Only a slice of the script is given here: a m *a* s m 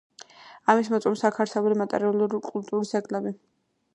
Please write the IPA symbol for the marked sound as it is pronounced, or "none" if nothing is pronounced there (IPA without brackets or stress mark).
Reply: i